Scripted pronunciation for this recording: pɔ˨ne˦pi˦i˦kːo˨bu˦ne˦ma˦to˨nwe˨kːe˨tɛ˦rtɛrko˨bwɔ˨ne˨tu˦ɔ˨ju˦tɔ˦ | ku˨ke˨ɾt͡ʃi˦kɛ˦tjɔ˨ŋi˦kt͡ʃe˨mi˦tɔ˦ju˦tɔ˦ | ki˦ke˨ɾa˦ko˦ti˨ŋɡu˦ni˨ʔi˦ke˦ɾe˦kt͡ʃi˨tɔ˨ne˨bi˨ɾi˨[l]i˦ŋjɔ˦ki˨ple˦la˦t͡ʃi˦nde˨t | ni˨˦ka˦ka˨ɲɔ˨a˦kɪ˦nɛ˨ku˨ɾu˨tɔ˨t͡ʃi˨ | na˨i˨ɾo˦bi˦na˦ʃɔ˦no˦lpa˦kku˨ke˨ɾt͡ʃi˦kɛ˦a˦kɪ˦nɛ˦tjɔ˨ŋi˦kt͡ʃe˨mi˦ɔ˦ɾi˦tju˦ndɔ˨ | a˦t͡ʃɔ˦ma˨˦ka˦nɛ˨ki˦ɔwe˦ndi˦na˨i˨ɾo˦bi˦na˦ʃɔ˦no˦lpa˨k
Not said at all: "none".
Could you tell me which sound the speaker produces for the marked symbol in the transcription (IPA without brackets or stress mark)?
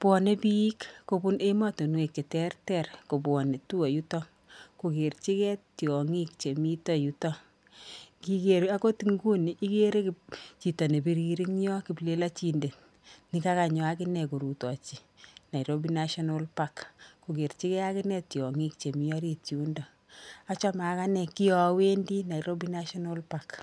ɾ